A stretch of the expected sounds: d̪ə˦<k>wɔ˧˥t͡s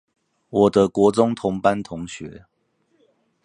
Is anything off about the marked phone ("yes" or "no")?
no